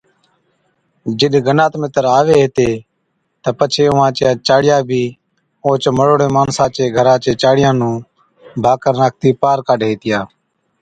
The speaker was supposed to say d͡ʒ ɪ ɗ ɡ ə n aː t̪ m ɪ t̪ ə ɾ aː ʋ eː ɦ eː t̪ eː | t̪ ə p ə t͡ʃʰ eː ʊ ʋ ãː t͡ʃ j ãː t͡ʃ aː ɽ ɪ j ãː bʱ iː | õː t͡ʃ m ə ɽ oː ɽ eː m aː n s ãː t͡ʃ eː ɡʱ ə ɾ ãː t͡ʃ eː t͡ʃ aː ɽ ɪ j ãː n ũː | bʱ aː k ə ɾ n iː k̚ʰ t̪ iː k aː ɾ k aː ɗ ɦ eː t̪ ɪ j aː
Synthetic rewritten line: d͡ʒ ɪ ɗ ɡ ə n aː t̪ m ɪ t̪ ə ɾ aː ʋ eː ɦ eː t̪ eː | t̪ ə p ə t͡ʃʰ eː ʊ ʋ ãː t͡ʃ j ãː t͡ʃ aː ɽ ɪ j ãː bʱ iː | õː t͡ʃ m ə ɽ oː ɽ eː m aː n s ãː t͡ʃ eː ɡʱ ə ɾ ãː t͡ʃ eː t͡ʃ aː ɽ ɪ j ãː n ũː | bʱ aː k ə ɾ n aː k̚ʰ t̪ iː p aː ɾ k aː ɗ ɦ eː t̪ ɪ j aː

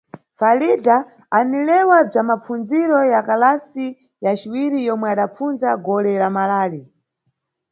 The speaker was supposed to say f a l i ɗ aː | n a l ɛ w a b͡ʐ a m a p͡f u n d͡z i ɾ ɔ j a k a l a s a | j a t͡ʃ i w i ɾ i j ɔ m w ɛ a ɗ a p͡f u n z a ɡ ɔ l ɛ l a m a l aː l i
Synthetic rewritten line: f a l i d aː | n i l ɛ w a b͡ʐ a m a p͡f u n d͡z i ɾ ɔ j a k a l a s i | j a t͡ʃ i w i ɾ i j ɔ m w ɛ a ɗ a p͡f u n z a ɡ ɔ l ɛ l a m a l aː l i

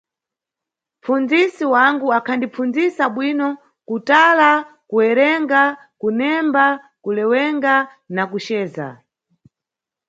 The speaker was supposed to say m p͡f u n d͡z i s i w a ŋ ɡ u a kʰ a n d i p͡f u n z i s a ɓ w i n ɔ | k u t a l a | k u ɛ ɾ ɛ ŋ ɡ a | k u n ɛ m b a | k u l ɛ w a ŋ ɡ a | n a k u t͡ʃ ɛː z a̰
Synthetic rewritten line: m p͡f u n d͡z i s i w a ŋ ɡ u a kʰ a n d i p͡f u n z i s a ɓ w i n ɔ | k u t a l a | k u ɛ ɾ ɛ ŋ ɡ a | k u n ɛ m b a | k u l ɛ w ɛ ŋ ɡ a | n a k u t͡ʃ ɛː z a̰

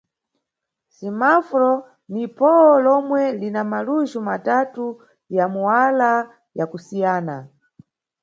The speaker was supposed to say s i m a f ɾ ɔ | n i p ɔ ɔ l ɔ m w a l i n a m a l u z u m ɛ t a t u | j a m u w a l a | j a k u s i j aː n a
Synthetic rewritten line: s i m a f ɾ ɔ | n i p ɔ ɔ l ɔ m w ɛ l i n a m a l u ʒ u m a t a t u | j a m u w a l a | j a k u s i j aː n a

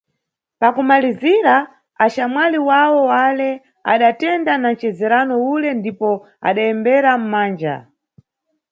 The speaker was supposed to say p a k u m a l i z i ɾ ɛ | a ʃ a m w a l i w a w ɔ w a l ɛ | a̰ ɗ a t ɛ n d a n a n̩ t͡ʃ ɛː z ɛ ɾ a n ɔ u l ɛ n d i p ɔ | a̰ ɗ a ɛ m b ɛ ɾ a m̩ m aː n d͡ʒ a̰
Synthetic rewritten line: p a k u m a l i z i ɾ a | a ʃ a m w a l i w a w ɔ w a l ɛ | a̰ ɗ a t ɛ n d a n a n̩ t͡ʃ ɛ z ɛ ɾ a n ɔ u l ɛ n d i p ɔ | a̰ ɗ a ɛ m b ɛ ɾ a m̩ m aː n d͡ʒ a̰

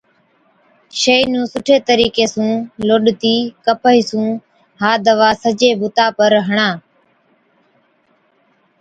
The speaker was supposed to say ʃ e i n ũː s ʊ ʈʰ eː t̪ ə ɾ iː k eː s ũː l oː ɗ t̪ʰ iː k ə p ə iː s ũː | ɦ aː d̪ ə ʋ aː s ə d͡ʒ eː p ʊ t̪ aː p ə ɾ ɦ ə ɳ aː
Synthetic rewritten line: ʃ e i n ũː s ʊ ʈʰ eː t̪ ə ɾ iː k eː s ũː l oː ɗ t̪ iː k ə p ə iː s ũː | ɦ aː d̪ ə ʋ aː s ə d͡ʒ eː b ʊ t̪ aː p ə ɾ ɦ ə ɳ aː

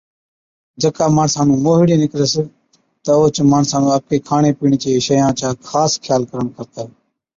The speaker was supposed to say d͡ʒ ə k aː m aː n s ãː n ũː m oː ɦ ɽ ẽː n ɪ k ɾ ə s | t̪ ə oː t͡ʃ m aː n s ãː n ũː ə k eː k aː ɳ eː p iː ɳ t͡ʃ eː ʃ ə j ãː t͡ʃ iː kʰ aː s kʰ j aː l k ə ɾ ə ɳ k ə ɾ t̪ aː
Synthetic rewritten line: d͡ʒ ə k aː m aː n s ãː n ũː m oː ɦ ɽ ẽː n ɪ k ɾ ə s | t̪ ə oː t͡ʃ m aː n s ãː n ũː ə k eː kʰ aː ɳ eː p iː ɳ t͡ʃ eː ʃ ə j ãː t͡ʃ aː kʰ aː s kʰ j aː l k ə ɾ ə ɳ k ə ɾ t̪ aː

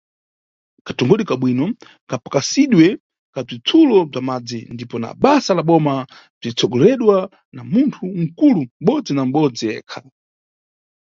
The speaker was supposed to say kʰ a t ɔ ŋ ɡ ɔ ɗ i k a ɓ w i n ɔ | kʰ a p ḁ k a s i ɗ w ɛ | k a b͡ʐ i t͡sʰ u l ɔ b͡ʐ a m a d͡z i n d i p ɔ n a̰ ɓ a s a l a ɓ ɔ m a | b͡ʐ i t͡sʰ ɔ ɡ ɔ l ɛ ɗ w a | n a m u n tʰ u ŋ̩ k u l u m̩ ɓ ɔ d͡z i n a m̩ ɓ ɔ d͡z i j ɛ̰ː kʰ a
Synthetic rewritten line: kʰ a t ɔ ŋ ɡ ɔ ɗ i k a ɓ w i n ɔ | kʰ a p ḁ k a s i ɗ w ɛ | k a b͡ʐ i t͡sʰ u l ɔ b͡ʐ a m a d͡z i n d i p ɔ n a̰ ɓ a s a l a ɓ ɔ m a | b͡ʐ i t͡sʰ ɔ ɡ ɔ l ɛ ɗ w a | n a m u n tʰ u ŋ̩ k u l u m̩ ɓ ɔ d͡z i n a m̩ ɓ ɔ d͡z i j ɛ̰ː kʰ a

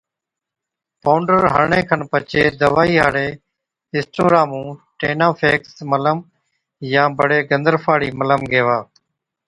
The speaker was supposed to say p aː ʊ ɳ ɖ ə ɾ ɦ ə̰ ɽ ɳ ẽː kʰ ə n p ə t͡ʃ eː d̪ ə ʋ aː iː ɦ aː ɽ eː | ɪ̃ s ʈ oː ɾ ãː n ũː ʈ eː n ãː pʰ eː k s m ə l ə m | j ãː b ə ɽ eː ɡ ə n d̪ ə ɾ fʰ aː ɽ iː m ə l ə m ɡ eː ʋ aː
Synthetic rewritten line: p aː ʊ ɳ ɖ ə ɾ ɦ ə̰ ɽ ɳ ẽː kʰ ə n p ə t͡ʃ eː d̪ ə ʋ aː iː ɦ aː ɽ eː | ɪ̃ s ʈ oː ɾ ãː m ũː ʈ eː n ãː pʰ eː k s m ə l ə m | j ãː b ə ɽ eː ɡ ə n d̪ ə ɾ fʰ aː ɽ iː m ə l ə m ɡ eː ʋ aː

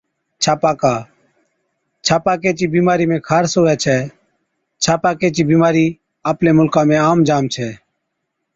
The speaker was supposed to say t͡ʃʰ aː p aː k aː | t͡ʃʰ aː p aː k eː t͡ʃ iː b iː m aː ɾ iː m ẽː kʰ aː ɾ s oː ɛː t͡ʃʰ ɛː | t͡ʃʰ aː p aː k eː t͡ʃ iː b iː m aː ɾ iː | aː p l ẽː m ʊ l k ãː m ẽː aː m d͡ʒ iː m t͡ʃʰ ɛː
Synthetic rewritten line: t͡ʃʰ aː p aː k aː | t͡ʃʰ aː p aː k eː t͡ʃ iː b iː m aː ɾ iː m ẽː kʰ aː ɾ s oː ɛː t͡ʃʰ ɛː | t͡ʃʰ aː p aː k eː t͡ʃ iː b iː m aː ɾ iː | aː p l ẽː m ʊ l k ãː m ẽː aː m d͡ʒ aː m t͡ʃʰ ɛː

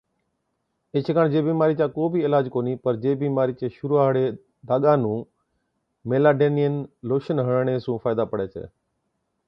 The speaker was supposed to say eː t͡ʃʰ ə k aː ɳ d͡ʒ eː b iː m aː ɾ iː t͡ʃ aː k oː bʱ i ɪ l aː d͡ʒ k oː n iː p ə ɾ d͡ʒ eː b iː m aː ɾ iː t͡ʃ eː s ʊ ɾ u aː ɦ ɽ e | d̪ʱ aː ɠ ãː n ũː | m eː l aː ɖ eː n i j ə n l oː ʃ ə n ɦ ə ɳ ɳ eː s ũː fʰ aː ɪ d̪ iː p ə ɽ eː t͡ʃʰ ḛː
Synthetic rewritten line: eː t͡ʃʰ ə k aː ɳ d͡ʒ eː b iː m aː ɾ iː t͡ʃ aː k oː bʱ i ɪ l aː d͡ʒ k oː n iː p ə ɾ d͡ʒ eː b iː m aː ɾ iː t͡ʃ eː ʃ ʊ ɾ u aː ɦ ɽ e | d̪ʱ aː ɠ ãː n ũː | m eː l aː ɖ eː n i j ə n l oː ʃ ə n ɦ ə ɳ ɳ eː s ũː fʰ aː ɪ d̪ aː p ə ɽ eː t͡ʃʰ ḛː

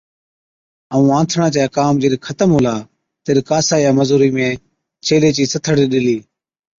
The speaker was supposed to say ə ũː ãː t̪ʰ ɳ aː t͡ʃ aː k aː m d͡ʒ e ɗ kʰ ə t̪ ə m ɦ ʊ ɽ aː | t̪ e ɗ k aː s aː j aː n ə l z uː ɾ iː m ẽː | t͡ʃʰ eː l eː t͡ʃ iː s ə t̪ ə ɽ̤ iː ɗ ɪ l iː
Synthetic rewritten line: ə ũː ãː t̪ʰ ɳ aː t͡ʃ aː k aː m d͡ʒ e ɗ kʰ ə t̪ ə m ɦ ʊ l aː | t̪ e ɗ k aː s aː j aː m ə z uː ɾ iː m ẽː | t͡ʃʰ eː l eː t͡ʃ iː s ə t̪ʰ ə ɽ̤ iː ɗ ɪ l iː

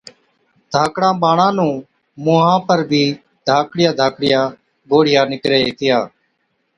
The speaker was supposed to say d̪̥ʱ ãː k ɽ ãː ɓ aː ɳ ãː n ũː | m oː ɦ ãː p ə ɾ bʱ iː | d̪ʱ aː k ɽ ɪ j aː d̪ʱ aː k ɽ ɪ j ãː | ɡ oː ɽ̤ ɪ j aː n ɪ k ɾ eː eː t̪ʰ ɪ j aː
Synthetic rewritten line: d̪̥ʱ aː k ɽ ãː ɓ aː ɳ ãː n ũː | m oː ɦ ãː p ə ɾ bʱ iː | d̪ʱ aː k ɽ ɪ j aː d̪ʱ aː k ɽ ɪ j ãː | ɡ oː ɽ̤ ɪ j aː n ɪ k ɾ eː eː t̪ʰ ɪ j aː

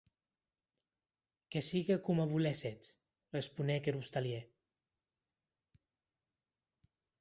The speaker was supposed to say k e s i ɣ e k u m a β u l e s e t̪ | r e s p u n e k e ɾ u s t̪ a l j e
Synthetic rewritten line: k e s i ɣ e k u m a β u l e s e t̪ | r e s p u n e k e ɾ u s t̪ a l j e

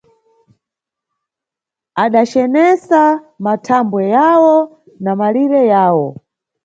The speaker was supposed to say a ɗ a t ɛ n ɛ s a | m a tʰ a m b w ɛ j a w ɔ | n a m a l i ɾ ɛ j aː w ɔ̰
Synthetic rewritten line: a ɗ a t͡ʃ ɛ n ɛ s a | m a tʰ a m b w ɛ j a w ɔ | n a m a l i ɾ ɛ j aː w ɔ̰

